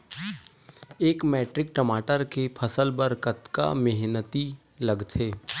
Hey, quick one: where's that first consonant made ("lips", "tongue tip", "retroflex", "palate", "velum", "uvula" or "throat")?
velum